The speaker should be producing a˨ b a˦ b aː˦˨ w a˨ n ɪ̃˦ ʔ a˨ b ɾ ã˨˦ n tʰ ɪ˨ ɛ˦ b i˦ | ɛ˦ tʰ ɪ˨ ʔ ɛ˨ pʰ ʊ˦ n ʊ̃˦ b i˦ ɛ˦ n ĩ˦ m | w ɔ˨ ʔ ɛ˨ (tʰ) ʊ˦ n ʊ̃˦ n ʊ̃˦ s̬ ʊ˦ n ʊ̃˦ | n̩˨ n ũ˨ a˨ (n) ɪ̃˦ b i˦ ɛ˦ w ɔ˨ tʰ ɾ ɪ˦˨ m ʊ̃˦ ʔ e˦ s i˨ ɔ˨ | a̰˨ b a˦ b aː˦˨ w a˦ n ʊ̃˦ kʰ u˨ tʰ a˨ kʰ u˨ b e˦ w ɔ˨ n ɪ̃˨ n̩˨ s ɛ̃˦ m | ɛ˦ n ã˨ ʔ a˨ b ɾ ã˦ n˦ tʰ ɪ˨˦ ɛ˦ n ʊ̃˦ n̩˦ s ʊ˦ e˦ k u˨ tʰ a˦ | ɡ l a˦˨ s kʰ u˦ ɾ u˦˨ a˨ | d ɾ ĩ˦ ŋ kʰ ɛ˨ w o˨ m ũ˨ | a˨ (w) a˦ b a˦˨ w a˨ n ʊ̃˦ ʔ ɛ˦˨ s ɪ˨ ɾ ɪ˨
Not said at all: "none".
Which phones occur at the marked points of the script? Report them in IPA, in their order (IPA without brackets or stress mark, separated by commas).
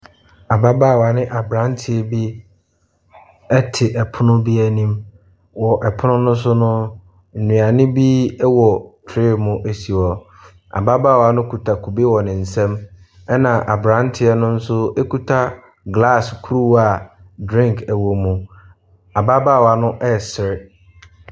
pʰ, n, b